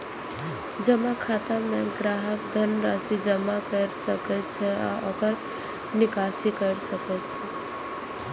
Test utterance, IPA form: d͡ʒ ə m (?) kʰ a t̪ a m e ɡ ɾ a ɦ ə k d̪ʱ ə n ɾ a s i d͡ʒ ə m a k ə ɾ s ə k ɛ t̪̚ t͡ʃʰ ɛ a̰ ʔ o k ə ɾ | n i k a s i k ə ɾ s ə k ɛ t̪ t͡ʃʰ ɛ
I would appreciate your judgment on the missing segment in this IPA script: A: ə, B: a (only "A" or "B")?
B